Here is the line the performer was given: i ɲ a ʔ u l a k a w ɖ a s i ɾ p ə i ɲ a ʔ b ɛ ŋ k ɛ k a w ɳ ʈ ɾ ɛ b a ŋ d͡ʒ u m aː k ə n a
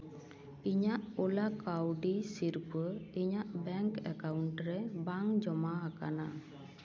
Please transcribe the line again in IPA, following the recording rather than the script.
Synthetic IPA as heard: i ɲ a ʔ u l a k a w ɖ i s i ɾ p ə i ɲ a ʔ b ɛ ŋ k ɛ k a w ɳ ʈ ɾ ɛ b a ŋ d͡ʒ ɔ m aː k a n a